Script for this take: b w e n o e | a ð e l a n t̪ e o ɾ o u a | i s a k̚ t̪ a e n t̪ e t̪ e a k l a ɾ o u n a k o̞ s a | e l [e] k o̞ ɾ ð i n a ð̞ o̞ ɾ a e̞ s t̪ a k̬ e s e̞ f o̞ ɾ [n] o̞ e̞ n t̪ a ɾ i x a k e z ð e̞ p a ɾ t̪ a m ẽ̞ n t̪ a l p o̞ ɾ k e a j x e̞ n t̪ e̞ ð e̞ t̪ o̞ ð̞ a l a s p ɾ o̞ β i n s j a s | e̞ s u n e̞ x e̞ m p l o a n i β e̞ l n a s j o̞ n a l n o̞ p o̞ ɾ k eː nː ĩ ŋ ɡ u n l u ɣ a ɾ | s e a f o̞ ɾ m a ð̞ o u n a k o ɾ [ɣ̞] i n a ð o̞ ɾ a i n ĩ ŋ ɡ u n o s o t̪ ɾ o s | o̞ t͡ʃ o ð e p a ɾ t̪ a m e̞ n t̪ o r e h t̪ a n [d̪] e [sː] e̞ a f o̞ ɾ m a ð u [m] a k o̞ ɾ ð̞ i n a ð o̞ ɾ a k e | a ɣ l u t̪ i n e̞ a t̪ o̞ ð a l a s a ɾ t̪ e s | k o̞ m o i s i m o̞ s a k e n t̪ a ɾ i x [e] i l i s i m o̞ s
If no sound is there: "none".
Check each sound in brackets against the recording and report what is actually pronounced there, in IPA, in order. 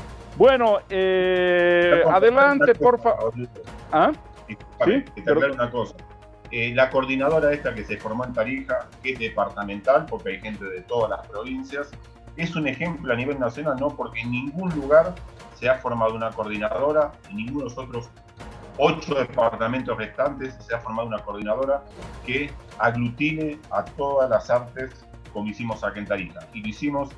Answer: a, m, ð̞, t̪, sː, n, a

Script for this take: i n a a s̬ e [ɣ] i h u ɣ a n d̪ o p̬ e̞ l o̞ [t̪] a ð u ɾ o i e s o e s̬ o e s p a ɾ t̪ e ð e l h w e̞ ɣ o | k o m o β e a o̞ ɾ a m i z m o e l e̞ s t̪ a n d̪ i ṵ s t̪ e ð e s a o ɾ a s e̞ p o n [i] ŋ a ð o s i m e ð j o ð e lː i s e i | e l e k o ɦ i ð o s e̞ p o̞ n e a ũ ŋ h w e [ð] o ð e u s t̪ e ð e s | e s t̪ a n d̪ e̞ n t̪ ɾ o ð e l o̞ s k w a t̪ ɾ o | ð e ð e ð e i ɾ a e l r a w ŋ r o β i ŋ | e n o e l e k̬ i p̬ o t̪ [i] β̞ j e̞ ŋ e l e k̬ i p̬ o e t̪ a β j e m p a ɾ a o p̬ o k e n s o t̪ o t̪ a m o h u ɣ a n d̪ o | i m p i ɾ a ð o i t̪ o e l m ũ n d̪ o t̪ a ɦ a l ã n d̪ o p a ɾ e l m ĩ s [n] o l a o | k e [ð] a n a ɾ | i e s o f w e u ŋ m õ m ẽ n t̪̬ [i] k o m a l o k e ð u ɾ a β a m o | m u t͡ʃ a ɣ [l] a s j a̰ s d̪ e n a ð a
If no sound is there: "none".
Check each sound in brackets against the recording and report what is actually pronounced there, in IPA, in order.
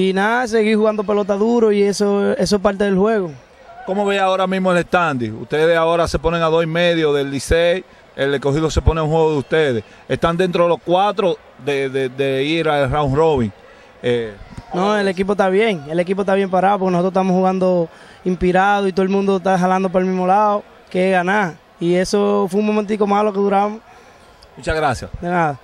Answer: ɣ, t̪, e, ɣ, a, m, ɣ, i, ɾ

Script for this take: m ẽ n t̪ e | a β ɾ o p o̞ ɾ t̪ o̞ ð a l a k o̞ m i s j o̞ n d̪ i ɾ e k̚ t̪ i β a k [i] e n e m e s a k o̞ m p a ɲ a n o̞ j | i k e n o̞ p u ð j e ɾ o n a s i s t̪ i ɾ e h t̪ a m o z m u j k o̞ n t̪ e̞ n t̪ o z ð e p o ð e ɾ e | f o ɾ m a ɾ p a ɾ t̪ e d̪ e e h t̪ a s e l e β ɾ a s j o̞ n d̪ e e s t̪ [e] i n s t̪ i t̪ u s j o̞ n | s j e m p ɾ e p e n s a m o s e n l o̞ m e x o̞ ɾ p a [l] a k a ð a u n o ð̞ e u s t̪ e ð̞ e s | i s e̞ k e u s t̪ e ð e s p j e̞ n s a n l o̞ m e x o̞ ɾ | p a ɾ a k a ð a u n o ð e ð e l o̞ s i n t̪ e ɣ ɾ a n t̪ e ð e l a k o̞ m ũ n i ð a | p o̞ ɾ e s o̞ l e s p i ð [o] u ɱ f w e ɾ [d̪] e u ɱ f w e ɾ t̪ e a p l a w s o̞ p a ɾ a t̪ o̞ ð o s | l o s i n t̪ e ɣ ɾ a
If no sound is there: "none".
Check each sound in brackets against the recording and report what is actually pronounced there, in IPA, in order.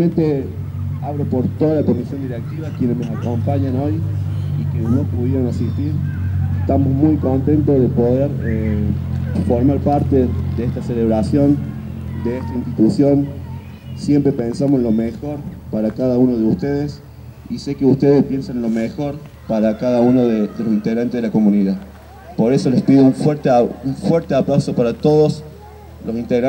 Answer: j, a, ɾ, o, t̪

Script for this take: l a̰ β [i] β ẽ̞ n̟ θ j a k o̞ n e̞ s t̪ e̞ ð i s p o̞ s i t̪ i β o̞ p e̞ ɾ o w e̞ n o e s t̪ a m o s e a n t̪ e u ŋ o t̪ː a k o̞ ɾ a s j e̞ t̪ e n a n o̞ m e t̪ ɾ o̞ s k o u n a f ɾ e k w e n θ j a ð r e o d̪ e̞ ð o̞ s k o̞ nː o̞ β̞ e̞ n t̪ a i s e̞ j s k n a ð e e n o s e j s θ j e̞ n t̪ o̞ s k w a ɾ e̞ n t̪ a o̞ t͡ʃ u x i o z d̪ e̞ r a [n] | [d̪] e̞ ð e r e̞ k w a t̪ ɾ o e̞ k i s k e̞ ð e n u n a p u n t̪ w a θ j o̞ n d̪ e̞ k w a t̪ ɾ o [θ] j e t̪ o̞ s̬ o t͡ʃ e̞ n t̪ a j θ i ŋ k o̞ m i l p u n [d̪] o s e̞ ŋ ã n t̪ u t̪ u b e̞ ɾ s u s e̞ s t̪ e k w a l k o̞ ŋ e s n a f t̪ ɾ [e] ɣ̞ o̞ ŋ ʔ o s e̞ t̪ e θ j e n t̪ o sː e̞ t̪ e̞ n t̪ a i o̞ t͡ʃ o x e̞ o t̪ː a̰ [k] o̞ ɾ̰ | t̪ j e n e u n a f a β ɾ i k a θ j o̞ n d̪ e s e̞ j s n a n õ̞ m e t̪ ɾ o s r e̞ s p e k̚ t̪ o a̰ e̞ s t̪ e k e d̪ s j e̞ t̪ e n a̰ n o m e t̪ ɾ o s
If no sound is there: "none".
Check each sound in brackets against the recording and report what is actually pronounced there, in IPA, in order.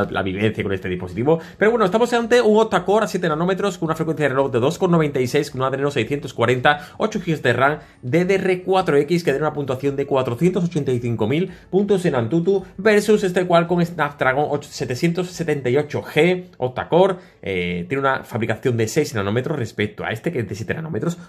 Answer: i, ŋ, d̪, θ, t̪, a, k

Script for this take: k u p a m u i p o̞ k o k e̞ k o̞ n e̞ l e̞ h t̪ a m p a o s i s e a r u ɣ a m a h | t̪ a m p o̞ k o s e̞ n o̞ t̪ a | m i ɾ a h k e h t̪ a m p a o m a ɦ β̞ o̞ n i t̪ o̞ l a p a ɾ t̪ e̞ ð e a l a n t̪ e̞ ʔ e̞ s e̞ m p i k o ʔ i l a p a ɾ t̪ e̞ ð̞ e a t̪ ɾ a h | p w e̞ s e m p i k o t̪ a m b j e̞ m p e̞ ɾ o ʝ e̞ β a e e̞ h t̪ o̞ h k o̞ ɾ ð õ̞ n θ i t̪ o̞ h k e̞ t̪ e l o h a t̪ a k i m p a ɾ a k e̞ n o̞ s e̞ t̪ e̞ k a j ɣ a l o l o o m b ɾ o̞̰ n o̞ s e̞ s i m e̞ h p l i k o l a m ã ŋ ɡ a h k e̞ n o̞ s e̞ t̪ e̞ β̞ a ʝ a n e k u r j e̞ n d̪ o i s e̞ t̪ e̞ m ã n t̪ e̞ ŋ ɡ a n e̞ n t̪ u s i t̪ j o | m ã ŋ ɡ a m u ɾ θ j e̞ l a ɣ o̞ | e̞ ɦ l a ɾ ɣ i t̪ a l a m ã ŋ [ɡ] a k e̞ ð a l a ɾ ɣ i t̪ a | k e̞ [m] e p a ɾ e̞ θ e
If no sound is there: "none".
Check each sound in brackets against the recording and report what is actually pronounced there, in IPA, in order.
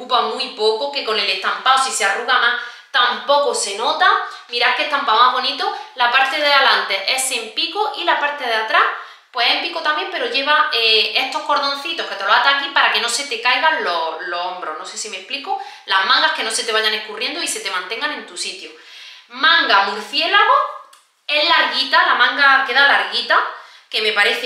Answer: ɡ, m

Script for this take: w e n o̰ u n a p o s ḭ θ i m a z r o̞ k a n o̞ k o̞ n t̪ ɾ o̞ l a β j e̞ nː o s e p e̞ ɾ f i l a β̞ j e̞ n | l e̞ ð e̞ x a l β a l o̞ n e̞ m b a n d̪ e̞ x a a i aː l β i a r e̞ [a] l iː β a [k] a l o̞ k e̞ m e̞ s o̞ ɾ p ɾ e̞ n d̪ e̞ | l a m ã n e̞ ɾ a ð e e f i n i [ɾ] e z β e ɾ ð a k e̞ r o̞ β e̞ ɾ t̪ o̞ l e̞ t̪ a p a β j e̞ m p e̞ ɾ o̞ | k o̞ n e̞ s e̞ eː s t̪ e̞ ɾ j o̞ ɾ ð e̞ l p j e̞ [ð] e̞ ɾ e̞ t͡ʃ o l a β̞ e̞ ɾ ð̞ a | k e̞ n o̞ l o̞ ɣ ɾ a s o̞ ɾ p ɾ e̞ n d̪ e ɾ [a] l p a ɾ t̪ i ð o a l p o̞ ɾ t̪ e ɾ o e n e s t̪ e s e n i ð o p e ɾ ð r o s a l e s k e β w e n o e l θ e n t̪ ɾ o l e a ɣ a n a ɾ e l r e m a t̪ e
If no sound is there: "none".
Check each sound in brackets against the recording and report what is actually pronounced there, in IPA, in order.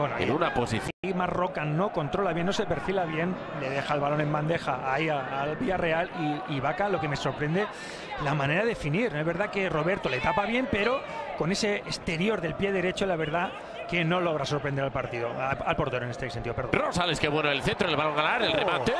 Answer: a, k, ɾ, ð, a

